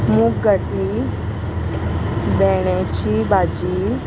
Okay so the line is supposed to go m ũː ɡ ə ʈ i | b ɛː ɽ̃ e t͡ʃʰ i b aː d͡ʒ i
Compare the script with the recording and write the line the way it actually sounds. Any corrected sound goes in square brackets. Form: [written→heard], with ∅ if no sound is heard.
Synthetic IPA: m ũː ɡ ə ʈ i | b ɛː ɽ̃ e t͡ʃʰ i b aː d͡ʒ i